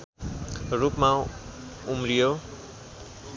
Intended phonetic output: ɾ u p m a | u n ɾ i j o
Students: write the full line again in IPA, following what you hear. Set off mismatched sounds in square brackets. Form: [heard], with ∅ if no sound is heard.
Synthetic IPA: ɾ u p m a | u [m] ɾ i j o

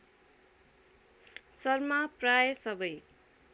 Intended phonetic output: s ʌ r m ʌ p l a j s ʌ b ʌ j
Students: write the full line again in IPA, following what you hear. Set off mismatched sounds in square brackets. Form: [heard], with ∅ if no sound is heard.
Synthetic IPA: s ʌ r m [a] p [r] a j s ʌ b ʌ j

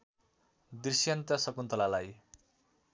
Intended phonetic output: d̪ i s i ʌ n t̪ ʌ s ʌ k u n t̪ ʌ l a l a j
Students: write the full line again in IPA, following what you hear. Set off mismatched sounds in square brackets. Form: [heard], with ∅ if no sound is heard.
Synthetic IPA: d̪ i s [j] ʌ n t̪ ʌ s ʌ k u n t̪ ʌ l a l a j

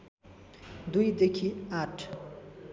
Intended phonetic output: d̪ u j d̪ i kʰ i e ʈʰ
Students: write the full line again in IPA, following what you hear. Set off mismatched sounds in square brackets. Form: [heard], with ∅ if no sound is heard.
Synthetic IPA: d̪ u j d̪ [e] kʰ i [a] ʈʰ

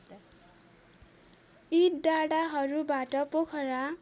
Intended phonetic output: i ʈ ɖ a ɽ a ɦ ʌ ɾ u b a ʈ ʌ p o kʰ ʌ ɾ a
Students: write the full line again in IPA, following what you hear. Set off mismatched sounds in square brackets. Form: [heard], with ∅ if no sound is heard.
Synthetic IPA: i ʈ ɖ a ɽ a ɦ ʌ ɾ u b a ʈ ʌ p o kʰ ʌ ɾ a

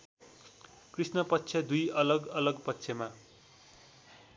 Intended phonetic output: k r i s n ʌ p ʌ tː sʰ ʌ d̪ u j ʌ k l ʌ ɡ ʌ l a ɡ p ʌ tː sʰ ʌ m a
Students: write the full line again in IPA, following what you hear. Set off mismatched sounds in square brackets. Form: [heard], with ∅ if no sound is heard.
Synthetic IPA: k r i s n ʌ p ʌ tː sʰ ʌ d̪ u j ʌ [∅] l ʌ ɡ ʌ l [ʌ] ɡ p ʌ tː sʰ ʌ m a

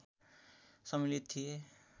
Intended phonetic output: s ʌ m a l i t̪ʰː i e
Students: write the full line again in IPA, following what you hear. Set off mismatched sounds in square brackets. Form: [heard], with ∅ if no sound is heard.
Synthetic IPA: s ʌ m [i] l i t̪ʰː i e

